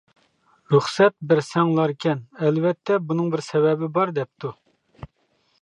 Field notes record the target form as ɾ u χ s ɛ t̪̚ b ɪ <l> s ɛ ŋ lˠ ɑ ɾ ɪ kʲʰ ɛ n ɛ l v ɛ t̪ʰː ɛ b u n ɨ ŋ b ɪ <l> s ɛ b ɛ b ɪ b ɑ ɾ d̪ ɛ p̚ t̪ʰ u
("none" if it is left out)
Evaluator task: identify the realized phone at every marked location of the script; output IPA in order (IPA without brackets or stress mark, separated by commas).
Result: ɾ, ɾ